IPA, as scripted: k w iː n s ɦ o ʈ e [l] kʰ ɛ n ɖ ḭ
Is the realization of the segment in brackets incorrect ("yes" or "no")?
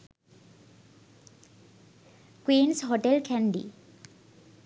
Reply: no